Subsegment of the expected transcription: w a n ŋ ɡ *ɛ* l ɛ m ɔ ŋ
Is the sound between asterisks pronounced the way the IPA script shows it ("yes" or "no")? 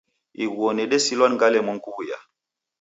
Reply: no